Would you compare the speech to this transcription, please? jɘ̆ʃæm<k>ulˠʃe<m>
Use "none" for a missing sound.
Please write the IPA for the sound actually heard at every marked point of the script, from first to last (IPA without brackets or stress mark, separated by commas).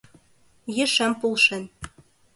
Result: p, n